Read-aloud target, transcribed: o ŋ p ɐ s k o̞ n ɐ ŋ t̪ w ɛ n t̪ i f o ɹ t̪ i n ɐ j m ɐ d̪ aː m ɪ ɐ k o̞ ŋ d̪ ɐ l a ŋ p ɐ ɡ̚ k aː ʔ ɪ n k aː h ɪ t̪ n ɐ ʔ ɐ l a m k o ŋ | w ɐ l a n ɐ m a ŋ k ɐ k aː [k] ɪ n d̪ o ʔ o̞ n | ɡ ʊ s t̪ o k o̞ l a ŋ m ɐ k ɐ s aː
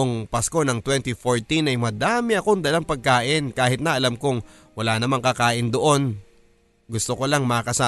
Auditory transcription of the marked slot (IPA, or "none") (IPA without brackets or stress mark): ʔ